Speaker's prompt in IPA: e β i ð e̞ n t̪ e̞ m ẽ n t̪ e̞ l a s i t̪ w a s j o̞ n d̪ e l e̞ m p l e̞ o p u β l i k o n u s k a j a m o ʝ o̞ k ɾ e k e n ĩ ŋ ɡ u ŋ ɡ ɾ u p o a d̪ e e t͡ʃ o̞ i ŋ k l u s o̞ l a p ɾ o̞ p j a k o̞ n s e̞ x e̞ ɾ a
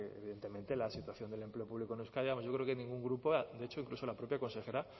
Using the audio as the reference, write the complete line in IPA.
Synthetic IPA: e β i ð e̞ n t̪ e̞ m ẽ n t̪ e̞ l a s i t̪ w a θ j o̞ n d̪ e l e̞ m p l e̞ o p u β l i k o n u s k a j a m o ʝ o̞ k ɾ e k e n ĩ ŋ ɡ u ŋ ɡ ɾ u p o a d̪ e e t͡ʃ o̞ i ŋ k l u s o̞ l a p ɾ o̞ p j a k o̞ n s e̞ x e̞ ɾ a